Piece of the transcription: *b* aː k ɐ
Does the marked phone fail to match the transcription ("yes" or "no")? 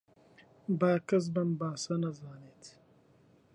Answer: no